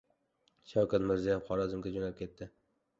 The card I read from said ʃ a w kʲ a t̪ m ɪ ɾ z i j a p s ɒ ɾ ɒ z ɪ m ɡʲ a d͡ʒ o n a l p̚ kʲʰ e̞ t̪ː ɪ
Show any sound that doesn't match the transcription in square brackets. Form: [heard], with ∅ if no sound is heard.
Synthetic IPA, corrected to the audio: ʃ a w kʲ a t̪ m ɪ ɾ z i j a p [χ] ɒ ɾ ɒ z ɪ m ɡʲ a d͡ʒ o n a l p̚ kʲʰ e̞ t̪ː ɪ